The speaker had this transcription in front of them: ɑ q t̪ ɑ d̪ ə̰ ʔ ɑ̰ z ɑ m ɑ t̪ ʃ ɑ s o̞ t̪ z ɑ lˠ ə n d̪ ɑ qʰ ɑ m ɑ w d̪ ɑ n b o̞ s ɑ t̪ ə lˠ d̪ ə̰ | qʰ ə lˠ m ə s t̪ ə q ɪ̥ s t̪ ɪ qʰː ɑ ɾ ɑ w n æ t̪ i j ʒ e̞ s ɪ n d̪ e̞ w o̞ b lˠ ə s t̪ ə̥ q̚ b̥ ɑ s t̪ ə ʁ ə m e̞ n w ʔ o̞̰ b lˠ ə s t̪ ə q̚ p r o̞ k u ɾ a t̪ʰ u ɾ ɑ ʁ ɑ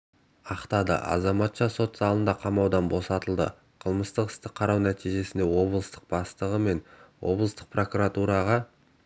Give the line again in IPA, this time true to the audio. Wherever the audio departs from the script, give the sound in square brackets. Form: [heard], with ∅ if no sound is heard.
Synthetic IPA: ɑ q t̪ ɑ d̪ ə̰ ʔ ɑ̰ z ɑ m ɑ t̪ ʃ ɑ s o̞ t̪ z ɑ lˠ ə n d̪ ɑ qʰ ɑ m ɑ w d̪ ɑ n b o̞ s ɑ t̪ ə lˠ d̪ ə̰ | qʰ ə lˠ m ə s t̪ ə q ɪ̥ s t̪ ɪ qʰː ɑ ɾ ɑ w n æ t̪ i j ʒ e̞ s ɪ n d̪ e̞ w o̞ b lˠ ə s t̪ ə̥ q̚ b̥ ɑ s t̪ ə ʁ ə m e̞ n w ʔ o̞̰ b lˠ ə s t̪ ə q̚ p r o̞ k u ɾ a [t̪] u ɾ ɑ ʁ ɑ